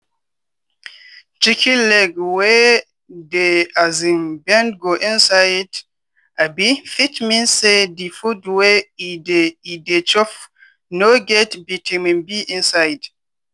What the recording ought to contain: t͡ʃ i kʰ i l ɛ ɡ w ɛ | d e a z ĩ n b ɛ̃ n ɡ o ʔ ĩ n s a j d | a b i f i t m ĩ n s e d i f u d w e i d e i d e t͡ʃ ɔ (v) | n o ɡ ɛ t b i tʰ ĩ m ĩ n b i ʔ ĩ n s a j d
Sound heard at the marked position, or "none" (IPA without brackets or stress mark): f